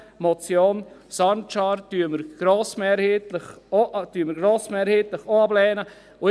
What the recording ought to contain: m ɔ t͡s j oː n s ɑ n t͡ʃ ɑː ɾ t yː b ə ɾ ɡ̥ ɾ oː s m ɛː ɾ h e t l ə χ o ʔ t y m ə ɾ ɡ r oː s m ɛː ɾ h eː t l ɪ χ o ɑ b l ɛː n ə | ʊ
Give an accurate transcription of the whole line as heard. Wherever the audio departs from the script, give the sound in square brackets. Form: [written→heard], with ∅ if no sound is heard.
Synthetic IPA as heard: m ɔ t͡s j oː n s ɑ n t͡ʃ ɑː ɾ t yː [b→m] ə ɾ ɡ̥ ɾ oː s m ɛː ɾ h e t l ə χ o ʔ t y m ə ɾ ɡ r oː s m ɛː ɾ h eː t l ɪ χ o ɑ b l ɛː n ə | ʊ